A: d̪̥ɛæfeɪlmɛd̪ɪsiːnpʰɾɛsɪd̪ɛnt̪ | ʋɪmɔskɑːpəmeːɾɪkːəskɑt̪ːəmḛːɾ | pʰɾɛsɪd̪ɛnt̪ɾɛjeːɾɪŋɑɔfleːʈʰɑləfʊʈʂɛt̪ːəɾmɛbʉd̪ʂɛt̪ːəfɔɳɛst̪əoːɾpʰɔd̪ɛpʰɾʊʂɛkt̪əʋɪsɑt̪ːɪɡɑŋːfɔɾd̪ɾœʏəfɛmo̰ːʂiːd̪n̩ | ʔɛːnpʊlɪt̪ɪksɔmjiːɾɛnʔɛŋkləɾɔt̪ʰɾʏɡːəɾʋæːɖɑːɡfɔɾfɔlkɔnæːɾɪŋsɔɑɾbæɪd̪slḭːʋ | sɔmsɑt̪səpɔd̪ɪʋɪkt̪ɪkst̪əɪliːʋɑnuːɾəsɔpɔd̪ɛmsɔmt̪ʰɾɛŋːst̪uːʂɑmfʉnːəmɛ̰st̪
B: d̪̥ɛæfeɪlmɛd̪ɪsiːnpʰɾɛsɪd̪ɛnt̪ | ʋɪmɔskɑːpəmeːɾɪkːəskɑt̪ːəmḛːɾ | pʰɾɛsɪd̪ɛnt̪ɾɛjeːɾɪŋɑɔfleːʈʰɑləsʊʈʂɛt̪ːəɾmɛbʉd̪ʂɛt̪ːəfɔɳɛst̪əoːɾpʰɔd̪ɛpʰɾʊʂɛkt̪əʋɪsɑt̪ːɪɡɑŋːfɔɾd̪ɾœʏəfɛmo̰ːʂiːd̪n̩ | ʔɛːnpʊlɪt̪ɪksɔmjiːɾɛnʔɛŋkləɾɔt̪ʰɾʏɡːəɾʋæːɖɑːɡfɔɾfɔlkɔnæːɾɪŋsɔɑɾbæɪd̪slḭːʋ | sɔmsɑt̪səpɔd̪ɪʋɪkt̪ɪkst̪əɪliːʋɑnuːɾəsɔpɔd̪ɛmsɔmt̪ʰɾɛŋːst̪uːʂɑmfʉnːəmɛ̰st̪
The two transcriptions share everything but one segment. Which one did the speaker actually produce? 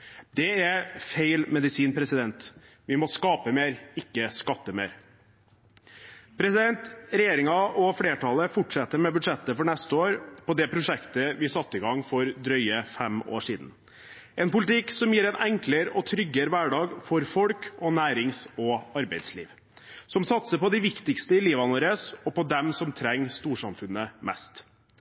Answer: A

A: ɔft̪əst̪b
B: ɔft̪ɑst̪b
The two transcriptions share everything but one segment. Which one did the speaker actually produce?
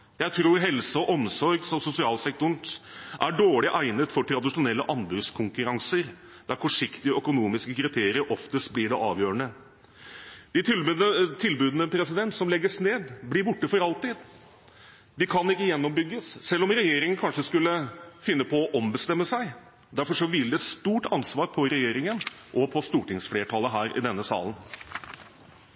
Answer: A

